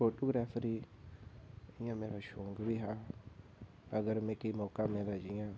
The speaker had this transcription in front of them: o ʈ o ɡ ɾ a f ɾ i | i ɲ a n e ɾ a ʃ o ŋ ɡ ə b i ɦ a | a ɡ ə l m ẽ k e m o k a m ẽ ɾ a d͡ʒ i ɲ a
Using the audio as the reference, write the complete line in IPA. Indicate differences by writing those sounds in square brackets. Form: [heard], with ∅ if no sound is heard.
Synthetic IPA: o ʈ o ɡ ɾ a f ɾ i | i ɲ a [m] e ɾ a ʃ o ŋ ɡ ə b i ɦ a | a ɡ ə [ɾ] m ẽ k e m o k a m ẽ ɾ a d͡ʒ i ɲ a